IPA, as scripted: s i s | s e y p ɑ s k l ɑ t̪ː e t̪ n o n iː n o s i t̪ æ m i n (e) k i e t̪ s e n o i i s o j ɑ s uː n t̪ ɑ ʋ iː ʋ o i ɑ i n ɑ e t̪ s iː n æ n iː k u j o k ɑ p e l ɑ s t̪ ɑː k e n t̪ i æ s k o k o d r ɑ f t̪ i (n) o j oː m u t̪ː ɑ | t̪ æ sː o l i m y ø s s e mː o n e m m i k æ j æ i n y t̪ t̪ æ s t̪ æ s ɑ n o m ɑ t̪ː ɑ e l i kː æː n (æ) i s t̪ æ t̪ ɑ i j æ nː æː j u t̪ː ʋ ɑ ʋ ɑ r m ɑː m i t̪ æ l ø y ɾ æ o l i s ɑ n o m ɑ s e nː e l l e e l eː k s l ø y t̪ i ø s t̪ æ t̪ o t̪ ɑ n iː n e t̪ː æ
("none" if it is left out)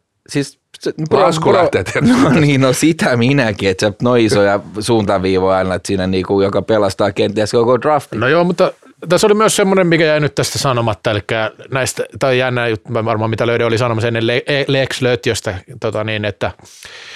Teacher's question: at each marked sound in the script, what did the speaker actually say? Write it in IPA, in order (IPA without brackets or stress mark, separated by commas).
æ, n, æ